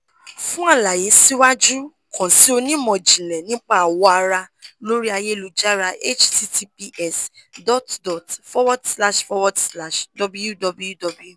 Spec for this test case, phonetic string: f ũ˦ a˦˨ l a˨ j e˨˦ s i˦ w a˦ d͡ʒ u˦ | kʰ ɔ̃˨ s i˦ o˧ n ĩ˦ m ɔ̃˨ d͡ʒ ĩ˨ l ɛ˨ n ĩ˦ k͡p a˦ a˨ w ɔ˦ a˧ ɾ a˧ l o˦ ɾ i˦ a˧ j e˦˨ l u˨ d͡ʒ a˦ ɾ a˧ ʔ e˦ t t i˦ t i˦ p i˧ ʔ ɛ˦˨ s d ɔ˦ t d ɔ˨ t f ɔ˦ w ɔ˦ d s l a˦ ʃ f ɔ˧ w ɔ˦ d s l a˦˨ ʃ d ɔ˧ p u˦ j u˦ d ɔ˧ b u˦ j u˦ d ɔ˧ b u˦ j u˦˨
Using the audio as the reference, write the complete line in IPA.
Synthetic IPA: f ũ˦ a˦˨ l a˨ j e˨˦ s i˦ w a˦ d͡ʒ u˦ | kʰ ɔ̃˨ s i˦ o˧ n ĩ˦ m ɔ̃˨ d͡ʒ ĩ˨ l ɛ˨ n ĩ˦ k͡p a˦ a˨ w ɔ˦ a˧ ɾ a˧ l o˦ ɾ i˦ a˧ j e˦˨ l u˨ d͡ʒ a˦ ɾ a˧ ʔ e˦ t͡ʃ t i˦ t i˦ p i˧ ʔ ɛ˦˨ s d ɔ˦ t d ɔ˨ t f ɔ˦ w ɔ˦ d s l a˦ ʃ f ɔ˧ w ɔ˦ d s l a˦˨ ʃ d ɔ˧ b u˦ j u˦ d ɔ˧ b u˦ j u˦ d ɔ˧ b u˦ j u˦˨